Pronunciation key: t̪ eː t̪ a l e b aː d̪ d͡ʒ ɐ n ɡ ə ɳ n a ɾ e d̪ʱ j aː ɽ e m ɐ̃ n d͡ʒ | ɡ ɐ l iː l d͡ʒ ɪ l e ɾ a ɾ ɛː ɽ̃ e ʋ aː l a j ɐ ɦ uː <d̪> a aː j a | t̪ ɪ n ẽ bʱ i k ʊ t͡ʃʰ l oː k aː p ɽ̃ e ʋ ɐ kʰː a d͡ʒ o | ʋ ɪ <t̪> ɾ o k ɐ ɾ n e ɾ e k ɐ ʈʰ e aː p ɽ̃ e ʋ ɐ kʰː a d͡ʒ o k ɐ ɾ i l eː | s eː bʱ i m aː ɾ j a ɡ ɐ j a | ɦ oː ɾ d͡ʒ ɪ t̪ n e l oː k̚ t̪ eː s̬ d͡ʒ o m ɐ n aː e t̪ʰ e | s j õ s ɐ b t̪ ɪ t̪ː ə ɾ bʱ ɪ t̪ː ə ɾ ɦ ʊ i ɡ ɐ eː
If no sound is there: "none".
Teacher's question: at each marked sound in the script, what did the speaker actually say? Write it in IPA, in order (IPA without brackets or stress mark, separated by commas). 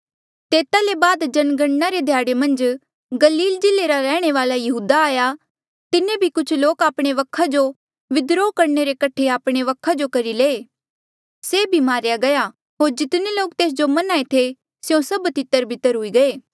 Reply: d̪, d̪